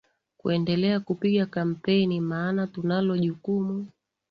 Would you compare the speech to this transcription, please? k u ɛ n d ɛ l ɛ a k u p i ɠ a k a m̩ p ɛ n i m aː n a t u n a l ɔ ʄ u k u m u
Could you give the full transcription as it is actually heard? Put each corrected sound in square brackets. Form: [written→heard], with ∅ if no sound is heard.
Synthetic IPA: k u ɛ n d ɛ l ɛ a k u p i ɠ a k a m̩ p ɛ n i m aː n a t u n a l ɔ ʄ u k u m u